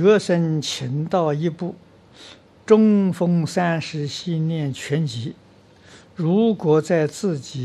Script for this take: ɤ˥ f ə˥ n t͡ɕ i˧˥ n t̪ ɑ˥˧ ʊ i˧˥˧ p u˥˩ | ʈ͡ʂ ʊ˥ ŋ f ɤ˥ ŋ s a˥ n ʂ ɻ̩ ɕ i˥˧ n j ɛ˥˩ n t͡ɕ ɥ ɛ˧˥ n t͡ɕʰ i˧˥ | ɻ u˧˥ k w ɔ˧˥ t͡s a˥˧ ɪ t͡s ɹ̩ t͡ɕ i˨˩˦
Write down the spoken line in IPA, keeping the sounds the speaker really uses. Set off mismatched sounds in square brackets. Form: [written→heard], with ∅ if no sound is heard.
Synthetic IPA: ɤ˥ [f→ʂ] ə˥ n [t͡ɕ→t͡ɕʰ] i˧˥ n t̪ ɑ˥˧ ʊ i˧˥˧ p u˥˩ | ʈ͡ʂ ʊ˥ ŋ f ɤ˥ ŋ s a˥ n ʂ ɻ̩ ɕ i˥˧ n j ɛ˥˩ n [t͡ɕ→t͡ɕʰ] ɥ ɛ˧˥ n [t͡ɕʰ→t͡ɕ] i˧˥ | ɻ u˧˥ k w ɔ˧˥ t͡s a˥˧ ɪ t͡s ɹ̩ t͡ɕ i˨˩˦